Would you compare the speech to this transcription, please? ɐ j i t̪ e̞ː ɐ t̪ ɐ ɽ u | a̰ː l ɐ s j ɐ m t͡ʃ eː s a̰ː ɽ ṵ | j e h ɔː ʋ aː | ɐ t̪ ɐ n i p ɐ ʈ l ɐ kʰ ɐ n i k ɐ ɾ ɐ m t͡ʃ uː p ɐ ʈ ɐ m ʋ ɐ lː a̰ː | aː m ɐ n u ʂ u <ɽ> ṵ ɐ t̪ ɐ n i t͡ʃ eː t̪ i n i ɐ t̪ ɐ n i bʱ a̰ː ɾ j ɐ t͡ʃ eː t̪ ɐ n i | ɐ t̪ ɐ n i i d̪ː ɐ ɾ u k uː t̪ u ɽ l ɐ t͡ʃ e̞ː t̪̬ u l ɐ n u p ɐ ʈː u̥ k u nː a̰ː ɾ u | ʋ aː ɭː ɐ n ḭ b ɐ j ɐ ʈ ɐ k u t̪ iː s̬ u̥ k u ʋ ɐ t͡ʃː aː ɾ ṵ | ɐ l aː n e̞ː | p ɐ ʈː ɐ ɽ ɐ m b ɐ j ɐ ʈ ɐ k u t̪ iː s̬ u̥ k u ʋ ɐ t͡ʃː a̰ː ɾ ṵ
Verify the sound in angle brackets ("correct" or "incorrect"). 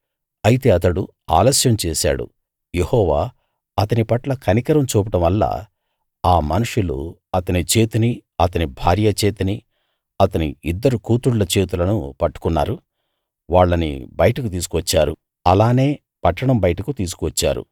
incorrect